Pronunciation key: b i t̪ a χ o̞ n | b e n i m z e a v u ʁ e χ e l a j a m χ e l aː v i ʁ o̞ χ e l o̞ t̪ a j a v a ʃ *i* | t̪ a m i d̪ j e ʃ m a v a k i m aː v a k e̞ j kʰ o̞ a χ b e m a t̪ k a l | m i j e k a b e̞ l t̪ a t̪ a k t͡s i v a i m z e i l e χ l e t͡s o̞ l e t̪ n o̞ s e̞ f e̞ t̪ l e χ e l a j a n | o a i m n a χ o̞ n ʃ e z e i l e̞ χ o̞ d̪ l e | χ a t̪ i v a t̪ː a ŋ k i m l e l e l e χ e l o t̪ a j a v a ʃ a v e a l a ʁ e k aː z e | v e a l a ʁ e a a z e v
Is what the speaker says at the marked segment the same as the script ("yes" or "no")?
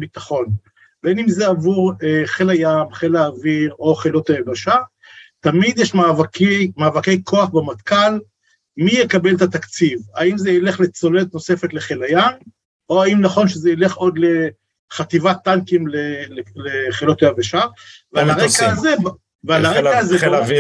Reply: no